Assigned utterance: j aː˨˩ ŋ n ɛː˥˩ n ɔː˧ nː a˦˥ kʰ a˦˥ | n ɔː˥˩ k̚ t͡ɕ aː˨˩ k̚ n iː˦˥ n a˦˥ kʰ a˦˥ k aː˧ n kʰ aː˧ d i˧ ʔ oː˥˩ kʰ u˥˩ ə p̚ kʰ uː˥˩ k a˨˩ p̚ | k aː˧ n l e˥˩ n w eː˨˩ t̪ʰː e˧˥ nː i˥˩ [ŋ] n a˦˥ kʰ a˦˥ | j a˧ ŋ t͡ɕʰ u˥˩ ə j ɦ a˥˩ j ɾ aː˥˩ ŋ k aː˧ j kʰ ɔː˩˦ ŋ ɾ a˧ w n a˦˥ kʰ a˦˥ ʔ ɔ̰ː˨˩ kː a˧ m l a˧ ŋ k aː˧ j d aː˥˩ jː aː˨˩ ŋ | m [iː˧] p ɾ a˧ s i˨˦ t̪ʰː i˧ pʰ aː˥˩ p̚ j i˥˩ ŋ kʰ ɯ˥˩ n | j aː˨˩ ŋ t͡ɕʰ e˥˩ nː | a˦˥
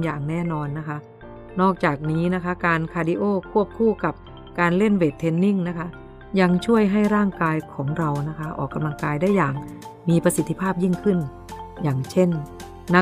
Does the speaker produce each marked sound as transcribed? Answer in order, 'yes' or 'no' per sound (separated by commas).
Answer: yes, yes